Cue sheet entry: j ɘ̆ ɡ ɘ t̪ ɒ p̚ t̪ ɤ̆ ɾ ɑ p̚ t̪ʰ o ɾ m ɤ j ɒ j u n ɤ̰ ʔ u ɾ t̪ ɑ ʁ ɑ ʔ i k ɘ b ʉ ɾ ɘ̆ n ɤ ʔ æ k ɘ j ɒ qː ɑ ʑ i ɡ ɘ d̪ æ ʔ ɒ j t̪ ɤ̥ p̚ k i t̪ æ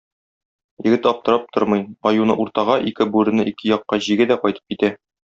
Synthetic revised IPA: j ɘ̆ ɡ ɘ t̪ ɒ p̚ t̪ ɤ̆ ɾ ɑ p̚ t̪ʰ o ɾ m ɤ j ɒ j u n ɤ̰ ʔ u ɾ t̪ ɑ ʁ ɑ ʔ i k ɘ b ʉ ɾ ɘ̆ n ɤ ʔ i k ɘ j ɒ qː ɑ ʑ i ɡ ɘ d̪ æ q ɒ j t̪ ɤ̥ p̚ k i t̪ æ

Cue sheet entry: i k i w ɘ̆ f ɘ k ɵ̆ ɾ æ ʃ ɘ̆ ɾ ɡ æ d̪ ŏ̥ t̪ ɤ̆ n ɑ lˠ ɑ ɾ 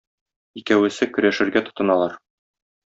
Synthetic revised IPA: i k æ w ɘ̆ s ɘ k ɵ̆ ɾ æ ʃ ɘ̆ ɾ ɡ æ t̪ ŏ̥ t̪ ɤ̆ n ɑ lˠ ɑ ɾ

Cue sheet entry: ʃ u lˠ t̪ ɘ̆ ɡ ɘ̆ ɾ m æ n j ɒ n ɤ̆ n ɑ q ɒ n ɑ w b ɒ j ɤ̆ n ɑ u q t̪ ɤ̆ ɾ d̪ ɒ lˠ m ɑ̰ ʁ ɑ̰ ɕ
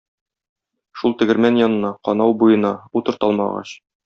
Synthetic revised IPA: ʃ u lˠ t̪ ɘ̆ ɡ ɘ̆ ɾ m æ n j ɒ n ɤ̆ n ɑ q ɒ n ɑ w b u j ɤ̆ n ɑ u t̪ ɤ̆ ɾ t̪ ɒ lˠ m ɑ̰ ʁ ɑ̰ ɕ

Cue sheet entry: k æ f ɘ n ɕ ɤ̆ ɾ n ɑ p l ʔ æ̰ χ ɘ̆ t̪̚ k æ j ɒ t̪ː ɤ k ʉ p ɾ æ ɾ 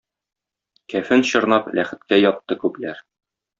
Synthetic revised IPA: k æ f ɘ n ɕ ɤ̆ ɾ n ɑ p l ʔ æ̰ χ ɘ̆ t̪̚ k æ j ɒ t̪ː ɤ k ʉ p l æ ɾ

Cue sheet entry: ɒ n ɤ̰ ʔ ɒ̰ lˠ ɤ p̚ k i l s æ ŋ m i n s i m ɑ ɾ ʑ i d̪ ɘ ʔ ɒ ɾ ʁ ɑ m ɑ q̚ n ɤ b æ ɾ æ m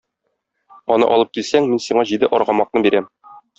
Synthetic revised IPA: ɒ n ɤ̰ ʔ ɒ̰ lˠ ɤ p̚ k i l s æ ŋ m i n s i ɴ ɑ ʑ i d̪ ɘ ʔ ɒ ɾ ʁ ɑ m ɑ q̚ n ɤ b i ɾ æ m

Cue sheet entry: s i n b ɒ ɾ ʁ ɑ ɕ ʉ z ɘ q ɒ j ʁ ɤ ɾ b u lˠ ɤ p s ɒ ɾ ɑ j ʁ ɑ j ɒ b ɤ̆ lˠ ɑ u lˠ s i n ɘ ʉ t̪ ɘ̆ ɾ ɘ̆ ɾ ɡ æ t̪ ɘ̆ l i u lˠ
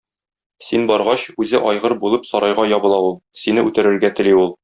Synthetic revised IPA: s i n b ɒ ɾ ʁ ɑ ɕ ʉ z ɘ ʔ ɒ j ʁ ɤ ɾ b u lˠ ɤ p s ɒ ɾ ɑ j ʁ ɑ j ɒ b ɤ̆ lˠ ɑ u lˠ s i n ɘ ʉ t̪ ɘ̆ ɾ ɘ̆ ɾ ɡ æ t̪ ɘ̆ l i u lˠ

